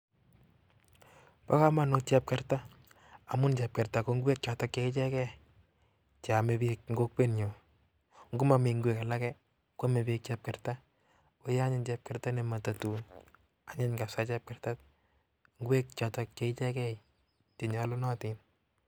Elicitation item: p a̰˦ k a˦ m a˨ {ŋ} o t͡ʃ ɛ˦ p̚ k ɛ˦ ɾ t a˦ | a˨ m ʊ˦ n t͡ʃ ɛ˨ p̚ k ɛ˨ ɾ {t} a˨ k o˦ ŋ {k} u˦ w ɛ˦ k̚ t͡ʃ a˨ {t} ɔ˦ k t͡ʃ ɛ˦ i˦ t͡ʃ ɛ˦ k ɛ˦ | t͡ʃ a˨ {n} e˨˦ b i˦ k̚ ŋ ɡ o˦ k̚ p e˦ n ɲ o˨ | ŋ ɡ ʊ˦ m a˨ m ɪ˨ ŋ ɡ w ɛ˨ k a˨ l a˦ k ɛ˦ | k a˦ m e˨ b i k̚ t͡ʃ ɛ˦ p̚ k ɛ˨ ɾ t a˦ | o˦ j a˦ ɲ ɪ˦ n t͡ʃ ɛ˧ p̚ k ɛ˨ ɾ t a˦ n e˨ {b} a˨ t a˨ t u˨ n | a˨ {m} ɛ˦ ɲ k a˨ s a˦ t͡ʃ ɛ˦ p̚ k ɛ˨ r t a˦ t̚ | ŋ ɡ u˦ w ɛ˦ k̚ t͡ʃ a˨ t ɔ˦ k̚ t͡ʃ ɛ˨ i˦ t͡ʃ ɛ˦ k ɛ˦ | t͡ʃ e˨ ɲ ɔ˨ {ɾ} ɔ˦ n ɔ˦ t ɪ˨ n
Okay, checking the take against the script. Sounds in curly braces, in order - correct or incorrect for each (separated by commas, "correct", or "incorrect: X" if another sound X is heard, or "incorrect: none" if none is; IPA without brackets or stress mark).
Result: incorrect: n, correct, incorrect: ɡ, correct, incorrect: m, incorrect: m, incorrect: ɲ, incorrect: l